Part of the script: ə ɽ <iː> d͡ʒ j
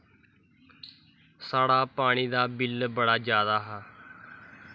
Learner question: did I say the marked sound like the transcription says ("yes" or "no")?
no